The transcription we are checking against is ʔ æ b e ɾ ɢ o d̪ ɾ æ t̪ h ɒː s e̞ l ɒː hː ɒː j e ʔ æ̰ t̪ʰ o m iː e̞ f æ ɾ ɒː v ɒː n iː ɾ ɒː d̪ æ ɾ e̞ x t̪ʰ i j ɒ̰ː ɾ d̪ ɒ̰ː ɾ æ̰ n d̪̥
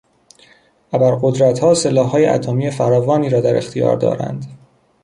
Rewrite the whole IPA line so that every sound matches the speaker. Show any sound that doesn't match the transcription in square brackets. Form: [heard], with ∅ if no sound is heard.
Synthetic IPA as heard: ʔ æ b [æ] ɾ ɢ o d̪ ɾ æ t̪ h ɒː s e̞ l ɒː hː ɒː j e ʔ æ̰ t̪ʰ o m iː e̞ f æ ɾ ɒː v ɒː n iː ɾ ɒː d̪ æ ɾ e̞ x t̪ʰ i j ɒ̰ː ɾ d̪ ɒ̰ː ɾ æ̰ n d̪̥